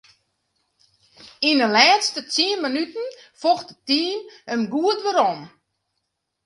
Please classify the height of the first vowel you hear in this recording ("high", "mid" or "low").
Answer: high